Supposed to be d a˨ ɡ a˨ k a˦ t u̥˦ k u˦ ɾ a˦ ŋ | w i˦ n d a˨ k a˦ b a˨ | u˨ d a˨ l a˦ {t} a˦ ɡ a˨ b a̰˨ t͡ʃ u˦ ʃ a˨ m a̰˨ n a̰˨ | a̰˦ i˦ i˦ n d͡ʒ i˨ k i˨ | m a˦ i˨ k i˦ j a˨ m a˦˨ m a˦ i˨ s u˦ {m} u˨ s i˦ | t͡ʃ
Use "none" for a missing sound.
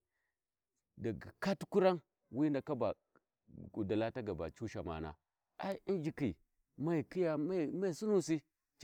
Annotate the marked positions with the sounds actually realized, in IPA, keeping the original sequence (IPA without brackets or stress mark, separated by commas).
t, n